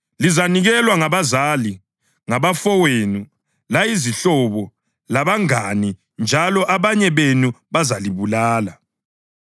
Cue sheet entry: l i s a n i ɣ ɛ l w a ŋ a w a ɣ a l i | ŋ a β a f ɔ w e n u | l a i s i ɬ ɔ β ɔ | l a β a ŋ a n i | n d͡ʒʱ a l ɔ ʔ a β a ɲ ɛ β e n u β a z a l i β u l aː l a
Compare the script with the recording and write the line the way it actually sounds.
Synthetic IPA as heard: l i z a n i ɣ ɛ l w a ŋ a β a z a l i | ŋ a β a f ɔ w e n u | l a i z i ɬ ɔ β ɔ | l a β a ŋ a n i | n d͡ʒʱ a l ɔ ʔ a β a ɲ ɛ β e n u β a z a l i β u l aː l a